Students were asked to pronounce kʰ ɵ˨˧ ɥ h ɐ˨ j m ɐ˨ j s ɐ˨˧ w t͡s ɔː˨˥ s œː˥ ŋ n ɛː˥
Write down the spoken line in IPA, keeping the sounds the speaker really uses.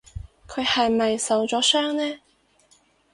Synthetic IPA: kʰ ɵ˨˧ ɥ h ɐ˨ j m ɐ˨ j s ɐ˨˧ w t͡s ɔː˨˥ s œː˥ ŋ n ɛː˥